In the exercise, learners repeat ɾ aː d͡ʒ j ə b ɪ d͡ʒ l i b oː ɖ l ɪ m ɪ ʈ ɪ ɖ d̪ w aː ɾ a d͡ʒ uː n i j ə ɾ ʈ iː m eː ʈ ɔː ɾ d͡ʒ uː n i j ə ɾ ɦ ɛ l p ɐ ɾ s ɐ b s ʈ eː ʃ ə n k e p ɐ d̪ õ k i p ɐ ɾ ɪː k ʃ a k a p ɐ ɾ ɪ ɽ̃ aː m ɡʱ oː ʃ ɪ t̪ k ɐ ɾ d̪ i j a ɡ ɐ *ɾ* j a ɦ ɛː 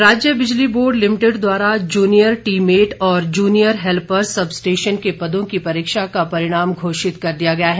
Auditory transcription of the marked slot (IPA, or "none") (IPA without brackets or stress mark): none